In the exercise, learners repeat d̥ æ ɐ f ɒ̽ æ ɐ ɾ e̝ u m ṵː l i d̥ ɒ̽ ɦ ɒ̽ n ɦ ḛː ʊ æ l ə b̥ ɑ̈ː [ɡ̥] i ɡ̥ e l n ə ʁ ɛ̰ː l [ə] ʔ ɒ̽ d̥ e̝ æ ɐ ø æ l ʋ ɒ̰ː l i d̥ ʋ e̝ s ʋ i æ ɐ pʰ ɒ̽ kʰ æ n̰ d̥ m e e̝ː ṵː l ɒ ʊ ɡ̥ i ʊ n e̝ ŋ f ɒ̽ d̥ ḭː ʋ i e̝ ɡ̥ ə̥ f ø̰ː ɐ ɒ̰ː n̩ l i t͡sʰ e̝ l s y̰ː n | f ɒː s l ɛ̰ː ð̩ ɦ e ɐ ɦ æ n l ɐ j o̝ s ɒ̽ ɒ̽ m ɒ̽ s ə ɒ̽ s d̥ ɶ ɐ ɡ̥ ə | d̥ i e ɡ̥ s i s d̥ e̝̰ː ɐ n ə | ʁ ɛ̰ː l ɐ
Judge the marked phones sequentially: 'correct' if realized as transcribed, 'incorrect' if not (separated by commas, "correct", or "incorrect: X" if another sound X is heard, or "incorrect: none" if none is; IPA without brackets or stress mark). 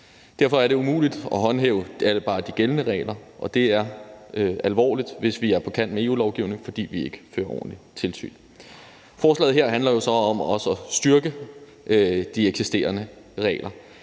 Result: incorrect: d̥, incorrect: ɐ